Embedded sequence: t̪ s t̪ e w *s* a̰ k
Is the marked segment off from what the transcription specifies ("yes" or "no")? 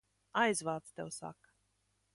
no